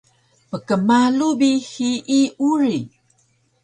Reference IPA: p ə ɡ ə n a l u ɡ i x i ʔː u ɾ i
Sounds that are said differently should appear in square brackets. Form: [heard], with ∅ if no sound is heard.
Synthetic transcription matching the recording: p ə [k] ə [m] a l u [b] i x i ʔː u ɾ i